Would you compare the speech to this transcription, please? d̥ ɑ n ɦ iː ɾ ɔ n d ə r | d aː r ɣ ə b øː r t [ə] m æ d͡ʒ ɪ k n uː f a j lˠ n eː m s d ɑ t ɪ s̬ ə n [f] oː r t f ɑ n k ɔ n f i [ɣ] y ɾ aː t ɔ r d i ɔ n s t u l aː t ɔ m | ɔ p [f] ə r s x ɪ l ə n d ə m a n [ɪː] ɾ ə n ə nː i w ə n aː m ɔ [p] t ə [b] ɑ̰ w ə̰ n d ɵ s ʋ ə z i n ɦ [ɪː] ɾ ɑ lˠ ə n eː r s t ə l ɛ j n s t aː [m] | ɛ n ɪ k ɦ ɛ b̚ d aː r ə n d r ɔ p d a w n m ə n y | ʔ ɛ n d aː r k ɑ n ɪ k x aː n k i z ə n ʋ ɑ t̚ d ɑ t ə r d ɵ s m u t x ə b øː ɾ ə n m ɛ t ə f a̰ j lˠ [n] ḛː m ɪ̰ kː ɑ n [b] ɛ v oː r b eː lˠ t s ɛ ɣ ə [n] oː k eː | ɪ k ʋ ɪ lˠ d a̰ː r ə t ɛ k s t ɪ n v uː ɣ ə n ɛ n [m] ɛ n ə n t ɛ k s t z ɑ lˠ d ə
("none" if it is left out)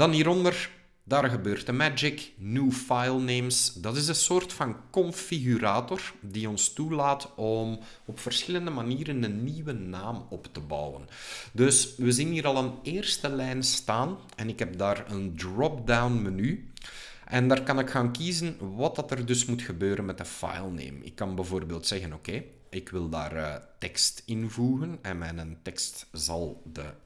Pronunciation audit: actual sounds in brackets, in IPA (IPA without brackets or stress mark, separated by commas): ə, s, ɣ, f, iː, p, b, iː, n, n, b, n, m